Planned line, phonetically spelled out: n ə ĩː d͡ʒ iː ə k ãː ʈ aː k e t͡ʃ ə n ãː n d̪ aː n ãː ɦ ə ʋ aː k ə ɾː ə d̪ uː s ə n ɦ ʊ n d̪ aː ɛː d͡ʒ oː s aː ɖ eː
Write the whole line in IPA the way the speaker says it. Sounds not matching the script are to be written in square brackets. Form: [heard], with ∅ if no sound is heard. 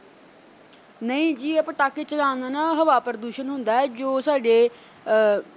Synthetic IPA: n ə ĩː d͡ʒ iː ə [p] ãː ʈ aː k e t͡ʃ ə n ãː n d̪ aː n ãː ɦ ə ʋ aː [p] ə [ɾ] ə d̪ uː [ʃ] ə n ɦ ʊ n d̪ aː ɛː d͡ʒ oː s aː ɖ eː